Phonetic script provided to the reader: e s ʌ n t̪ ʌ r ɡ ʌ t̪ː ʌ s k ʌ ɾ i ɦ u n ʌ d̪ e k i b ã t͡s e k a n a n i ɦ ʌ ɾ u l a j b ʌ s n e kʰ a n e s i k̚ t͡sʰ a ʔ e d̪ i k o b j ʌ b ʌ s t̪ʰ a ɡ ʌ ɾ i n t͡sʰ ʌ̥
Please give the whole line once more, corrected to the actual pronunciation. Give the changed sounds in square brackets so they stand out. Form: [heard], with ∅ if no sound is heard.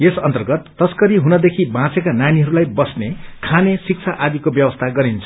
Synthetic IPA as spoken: e s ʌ n t̪ ʌ r ɡ ʌ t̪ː ʌ s k ʌ ɾ i ɦ u n ʌ d̪ e [kʰ] i b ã t͡s e k a n a n i ɦ ʌ ɾ u l a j b ʌ s n e kʰ a n e s i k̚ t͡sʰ a ʔ [a] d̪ i k o b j ʌ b ʌ s t̪ʰ a ɡ ʌ ɾ i n t͡sʰ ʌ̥